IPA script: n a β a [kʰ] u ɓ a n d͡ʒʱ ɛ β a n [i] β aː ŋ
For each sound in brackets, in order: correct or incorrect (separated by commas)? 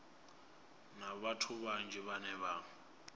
incorrect, incorrect